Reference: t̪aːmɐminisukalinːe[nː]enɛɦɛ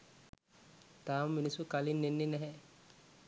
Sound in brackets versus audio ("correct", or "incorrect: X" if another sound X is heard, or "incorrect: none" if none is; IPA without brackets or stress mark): correct